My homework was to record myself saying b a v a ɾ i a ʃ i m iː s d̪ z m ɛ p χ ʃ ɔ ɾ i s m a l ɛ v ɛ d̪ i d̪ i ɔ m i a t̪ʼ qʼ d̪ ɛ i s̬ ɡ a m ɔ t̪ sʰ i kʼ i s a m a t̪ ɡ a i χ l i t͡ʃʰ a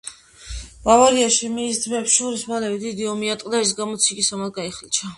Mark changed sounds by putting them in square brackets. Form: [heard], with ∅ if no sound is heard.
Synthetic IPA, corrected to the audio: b a v a ɾ i a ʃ i m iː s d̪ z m ɛ p [s] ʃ ɔ ɾ i s m a l ɛ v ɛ d̪ i d̪ i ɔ m i a t̪ʼ qʼ d̪ [a] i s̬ ɡ a m ɔ t̪ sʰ i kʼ i s a m a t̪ ɡ a i χ l i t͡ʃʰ a